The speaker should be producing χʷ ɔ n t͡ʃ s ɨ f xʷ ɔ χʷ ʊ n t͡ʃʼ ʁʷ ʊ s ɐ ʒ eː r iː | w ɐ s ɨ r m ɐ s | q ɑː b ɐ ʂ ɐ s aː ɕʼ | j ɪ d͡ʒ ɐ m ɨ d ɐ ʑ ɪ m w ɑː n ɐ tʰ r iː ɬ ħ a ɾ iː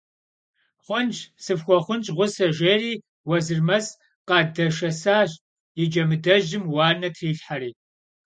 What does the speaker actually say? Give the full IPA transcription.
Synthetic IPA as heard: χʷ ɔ n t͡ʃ s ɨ f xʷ ɔ χʷ ʊ n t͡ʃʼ ʁʷ ʊ s ɐ ʒ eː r iː | w ɐ z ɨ r m ɐ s | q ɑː d ɐ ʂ ɐ s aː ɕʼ | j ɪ d͡ʒ ɐ m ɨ d ɐ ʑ ɪ m w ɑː n ɐ tʰ r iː ɬ ħ a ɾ iː

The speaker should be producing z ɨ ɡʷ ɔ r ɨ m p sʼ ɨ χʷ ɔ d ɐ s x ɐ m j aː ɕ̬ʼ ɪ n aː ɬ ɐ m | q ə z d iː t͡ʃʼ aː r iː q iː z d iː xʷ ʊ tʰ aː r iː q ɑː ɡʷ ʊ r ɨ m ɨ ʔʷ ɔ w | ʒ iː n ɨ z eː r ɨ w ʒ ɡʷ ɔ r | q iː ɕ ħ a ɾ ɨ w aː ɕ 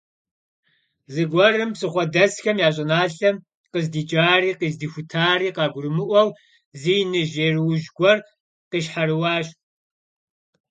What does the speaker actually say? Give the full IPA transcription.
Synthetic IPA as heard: z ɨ ɡʷ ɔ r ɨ m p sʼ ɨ χʷ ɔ d ɐ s x ɐ m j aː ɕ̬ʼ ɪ n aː ɬ ɐ m | q ə z d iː t͡ʃʼ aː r iː q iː z d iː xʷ ʊ tʰ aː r iː q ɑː ɡʷ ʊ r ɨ m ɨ ʔʷ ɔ w | z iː n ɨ ʒ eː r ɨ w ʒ ɡʷ ɔ r | q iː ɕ ħ a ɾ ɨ w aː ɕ

